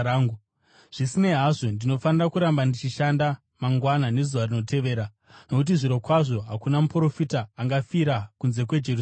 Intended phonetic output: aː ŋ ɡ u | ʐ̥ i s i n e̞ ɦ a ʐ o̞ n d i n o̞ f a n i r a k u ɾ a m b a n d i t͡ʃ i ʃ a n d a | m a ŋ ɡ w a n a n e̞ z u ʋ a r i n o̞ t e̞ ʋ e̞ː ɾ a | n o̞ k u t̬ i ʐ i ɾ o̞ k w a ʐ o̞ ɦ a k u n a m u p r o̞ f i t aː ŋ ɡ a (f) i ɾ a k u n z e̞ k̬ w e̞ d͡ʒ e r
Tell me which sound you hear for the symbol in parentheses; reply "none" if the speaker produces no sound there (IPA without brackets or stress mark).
f